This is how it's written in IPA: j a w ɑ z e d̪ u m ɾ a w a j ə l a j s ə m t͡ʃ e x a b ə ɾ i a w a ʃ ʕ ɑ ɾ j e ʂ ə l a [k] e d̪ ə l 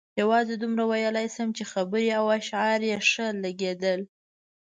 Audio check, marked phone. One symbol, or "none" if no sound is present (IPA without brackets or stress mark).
ɡ